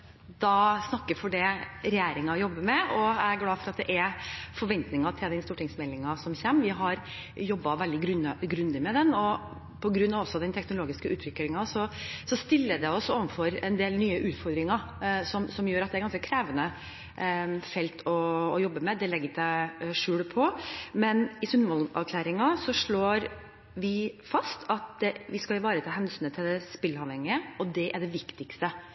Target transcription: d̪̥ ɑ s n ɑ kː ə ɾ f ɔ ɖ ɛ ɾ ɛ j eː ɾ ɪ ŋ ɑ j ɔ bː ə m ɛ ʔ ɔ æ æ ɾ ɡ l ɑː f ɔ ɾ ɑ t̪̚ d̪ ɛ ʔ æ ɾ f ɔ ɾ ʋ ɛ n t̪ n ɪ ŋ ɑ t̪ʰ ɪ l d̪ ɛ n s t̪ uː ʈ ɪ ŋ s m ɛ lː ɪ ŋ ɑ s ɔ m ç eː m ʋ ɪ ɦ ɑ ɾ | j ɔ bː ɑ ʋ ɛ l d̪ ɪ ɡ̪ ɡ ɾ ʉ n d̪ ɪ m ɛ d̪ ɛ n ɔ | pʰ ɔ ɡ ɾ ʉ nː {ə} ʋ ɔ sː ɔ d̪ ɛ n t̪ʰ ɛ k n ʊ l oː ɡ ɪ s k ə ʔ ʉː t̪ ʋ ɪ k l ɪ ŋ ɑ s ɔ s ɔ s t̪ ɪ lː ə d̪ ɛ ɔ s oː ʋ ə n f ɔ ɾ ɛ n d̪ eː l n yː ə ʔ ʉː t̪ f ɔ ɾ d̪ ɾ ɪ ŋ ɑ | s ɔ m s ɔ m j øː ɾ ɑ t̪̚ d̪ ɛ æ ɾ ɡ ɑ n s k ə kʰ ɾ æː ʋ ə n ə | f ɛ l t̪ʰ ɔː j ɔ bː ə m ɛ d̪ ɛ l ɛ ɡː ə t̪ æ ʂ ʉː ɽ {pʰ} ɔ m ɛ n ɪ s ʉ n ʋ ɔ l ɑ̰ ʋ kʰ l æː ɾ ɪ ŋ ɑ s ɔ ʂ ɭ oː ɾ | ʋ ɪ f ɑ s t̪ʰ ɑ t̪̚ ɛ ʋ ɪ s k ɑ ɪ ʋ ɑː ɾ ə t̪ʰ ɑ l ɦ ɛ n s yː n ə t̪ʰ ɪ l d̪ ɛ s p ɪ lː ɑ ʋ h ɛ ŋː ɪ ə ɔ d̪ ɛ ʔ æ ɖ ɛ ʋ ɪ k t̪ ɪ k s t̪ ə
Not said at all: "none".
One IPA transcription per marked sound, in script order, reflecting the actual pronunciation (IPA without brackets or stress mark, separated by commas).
ɑ, pʰ